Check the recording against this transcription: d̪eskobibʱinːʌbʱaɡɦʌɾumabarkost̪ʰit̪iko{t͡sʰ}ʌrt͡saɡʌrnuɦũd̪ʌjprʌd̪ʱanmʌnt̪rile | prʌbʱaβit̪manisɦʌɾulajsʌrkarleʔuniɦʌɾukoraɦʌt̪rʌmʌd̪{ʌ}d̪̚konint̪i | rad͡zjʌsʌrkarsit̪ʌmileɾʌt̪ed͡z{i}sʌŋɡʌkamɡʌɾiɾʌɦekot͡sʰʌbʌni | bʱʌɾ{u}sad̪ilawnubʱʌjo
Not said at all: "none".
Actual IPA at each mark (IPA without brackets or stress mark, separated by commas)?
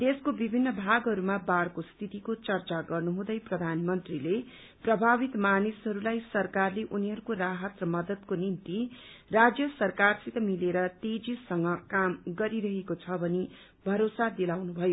t͡s, ʌ, i, o